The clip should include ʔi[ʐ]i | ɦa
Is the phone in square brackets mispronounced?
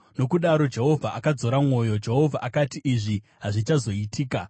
no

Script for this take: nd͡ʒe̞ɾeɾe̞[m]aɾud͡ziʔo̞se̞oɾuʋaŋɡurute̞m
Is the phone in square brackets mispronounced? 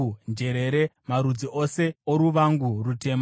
no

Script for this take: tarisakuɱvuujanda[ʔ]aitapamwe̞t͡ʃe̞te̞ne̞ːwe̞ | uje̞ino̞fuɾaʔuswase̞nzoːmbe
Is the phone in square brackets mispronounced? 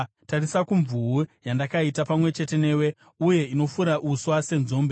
yes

